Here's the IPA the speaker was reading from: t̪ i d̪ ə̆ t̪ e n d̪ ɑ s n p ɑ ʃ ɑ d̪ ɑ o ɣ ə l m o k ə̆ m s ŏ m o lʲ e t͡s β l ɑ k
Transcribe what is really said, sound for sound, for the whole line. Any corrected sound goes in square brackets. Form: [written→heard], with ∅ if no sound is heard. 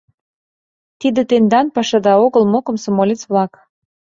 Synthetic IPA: t̪ i d̪ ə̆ t̪ e n d̪ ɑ [s→∅] n p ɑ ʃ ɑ d̪ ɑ o ɣ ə l m o k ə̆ m s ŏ m o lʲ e t͡s β l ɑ k